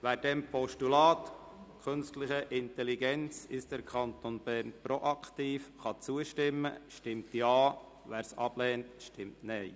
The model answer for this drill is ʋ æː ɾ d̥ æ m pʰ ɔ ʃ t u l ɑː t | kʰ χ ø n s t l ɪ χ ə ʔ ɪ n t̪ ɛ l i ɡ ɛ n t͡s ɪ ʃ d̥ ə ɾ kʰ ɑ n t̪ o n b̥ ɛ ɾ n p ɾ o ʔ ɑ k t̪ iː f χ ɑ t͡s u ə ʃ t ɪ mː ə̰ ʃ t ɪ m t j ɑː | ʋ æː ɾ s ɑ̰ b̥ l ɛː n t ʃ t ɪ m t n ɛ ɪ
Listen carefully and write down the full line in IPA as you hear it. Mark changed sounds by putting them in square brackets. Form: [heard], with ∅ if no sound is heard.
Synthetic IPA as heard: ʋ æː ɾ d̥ [ɛ] m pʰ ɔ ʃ t u l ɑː t | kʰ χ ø n s t l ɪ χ ə ʔ ɪ n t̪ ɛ l i ɡ ɛ n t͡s ɪ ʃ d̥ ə ɾ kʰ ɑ n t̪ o n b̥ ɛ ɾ n p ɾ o ʔ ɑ k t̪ iː f χ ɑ t͡s u ə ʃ t ɪ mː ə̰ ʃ t ɪ m t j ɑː | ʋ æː ɾ s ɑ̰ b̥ l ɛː n t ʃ t ɪ m t n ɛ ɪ